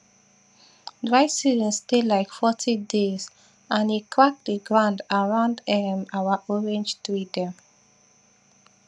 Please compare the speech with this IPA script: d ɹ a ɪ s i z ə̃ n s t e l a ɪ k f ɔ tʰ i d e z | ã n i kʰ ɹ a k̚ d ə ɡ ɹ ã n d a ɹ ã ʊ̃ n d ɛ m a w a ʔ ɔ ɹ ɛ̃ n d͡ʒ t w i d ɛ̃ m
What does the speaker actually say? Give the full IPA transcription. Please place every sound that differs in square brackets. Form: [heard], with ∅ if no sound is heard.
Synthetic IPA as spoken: d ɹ a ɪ s i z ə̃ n s t e l a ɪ k f ɔ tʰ i d e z | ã n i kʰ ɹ a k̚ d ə ɡ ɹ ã n d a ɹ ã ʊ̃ n d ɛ m a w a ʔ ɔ ɹ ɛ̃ n d͡ʒ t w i d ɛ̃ m